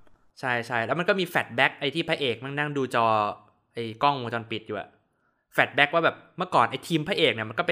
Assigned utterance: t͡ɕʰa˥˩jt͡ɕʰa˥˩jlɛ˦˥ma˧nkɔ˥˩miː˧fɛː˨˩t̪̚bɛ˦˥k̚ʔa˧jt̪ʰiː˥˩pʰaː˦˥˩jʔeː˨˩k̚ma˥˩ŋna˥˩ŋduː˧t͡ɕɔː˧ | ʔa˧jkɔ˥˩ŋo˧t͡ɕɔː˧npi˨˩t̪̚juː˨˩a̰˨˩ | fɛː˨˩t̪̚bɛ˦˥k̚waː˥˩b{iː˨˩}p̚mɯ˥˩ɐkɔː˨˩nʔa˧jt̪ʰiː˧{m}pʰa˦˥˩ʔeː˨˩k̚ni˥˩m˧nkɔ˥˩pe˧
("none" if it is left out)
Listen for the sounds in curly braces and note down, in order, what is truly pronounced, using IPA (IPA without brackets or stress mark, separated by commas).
ɛː˨˩, m